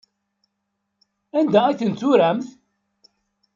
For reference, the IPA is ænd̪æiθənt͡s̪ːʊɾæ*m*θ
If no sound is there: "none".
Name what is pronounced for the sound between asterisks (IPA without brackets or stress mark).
m